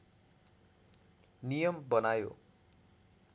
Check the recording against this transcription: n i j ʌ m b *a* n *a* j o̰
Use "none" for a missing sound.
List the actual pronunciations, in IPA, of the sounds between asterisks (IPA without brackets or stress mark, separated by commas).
ʌ, a